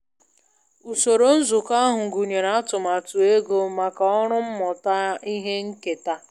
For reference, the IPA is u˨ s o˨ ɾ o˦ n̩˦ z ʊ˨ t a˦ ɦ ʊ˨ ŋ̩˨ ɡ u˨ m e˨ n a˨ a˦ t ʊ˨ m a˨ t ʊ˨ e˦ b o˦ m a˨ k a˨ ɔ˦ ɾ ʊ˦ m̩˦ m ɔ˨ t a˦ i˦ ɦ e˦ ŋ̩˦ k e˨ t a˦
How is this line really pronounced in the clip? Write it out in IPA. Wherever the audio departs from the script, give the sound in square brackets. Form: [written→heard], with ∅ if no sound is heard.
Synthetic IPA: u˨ s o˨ ɾ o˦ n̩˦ z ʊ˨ [t→k] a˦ ɦ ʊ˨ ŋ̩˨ ɡ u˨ [m→ɲ] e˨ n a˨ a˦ t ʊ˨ m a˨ t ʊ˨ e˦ [b→ɡ] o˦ m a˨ k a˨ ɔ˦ ɾ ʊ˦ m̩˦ m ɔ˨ t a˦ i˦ ɦ e˦ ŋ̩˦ k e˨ t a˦

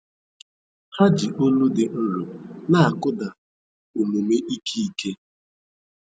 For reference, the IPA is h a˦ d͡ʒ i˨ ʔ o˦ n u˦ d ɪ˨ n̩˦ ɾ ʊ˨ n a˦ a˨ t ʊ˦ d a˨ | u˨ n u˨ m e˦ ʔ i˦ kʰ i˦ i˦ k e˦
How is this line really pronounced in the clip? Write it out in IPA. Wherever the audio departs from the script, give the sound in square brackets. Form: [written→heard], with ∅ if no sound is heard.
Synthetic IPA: h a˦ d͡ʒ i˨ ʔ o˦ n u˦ d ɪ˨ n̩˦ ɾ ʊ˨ n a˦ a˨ [t→k] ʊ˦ d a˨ | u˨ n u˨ m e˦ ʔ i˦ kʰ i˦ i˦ k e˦

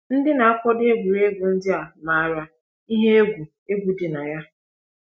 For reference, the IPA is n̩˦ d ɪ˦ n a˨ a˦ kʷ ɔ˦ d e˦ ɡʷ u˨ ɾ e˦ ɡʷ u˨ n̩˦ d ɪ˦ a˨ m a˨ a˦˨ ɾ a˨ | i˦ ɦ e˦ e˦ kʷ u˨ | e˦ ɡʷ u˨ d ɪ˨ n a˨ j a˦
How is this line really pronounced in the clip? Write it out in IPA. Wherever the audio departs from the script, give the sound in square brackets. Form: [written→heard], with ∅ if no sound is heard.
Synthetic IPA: n̩˦ d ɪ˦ n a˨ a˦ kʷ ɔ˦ d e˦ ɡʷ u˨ ɾ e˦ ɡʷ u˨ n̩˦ d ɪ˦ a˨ m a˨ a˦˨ ɾ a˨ | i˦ ɦ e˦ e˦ [kʷ→ɡʷ] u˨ | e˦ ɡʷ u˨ d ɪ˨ n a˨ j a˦

